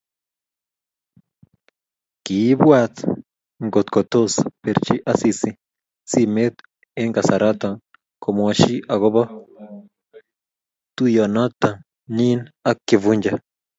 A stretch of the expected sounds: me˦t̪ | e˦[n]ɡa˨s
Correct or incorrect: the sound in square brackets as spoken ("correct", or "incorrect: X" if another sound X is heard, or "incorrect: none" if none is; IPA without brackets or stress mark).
incorrect: ŋ